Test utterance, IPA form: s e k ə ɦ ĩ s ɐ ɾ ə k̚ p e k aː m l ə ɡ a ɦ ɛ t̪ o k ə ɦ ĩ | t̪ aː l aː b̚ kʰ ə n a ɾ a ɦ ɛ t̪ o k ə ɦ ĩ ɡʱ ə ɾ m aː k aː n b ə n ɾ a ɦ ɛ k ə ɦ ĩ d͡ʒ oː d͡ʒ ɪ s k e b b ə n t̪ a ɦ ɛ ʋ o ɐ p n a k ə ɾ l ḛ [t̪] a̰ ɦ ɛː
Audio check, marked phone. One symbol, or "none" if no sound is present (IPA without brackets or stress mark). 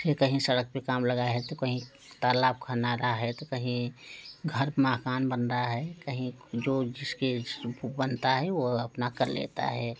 t̪